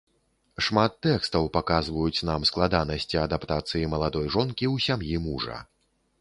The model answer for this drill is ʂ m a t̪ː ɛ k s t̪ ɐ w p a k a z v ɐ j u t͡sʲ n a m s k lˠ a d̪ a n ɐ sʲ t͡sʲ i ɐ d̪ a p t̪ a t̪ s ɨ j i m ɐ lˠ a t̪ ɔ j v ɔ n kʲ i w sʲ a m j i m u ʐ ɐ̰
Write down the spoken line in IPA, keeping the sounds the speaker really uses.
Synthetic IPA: ʂ m a t̪ː ɛ k s t̪ ɐ w p a k a z v ɐ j u t͡sʲ n a m s k lˠ a d̪ a n ɐ sʲ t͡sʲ i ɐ d̪ a p t̪ a t̪ s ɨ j i m ɐ lˠ a d̪ ɔ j ʐ ɔ n kʲ i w sʲ a m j i m u ʐ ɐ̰